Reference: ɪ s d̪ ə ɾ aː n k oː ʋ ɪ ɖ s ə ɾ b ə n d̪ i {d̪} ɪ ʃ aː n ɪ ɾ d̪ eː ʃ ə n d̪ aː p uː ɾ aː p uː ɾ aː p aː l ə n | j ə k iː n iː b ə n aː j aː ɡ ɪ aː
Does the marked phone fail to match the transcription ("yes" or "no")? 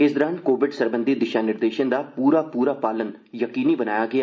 no